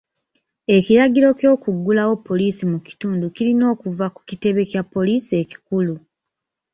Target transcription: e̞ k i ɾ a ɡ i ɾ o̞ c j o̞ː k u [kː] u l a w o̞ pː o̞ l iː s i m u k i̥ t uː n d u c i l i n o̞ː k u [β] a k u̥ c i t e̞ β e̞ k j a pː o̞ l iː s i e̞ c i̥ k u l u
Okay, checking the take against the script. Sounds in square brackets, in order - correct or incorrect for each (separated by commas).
incorrect, incorrect